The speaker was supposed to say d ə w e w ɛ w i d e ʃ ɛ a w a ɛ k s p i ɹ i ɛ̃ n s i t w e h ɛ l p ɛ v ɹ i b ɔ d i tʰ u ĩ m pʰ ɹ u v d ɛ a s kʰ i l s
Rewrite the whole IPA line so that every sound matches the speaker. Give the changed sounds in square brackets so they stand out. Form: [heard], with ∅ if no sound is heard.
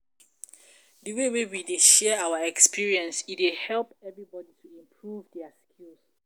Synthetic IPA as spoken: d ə w e w [e] w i d e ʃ ɛ a w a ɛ k s p i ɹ i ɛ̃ n s i t w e h ɛ l p ɛ v ɹ i b ɔ d i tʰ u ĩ m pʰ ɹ u v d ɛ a s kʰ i l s